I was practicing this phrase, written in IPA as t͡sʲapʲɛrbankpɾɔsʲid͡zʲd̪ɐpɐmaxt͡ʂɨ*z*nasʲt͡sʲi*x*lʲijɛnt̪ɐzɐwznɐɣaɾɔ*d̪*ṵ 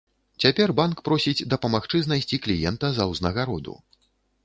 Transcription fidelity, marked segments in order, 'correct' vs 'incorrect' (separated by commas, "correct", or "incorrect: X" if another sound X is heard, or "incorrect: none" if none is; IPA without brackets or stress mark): correct, incorrect: k, correct